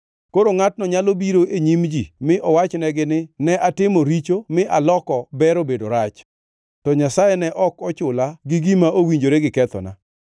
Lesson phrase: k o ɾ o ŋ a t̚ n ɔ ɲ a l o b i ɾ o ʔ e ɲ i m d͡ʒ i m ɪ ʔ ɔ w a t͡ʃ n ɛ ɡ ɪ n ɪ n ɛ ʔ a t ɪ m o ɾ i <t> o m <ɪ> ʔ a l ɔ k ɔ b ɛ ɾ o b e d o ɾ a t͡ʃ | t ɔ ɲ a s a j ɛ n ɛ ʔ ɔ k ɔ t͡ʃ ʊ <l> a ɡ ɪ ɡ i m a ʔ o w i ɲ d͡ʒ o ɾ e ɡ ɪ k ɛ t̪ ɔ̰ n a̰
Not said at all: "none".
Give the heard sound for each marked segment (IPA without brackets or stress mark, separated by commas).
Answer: t͡ʃ, ɪ, l